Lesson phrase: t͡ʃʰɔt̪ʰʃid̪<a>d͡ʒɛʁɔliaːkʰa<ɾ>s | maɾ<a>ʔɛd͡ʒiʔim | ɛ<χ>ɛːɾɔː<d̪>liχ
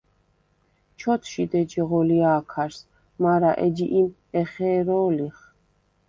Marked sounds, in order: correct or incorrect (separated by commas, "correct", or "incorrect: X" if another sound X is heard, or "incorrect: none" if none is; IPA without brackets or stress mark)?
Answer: incorrect: ɛ, correct, correct, correct, incorrect: none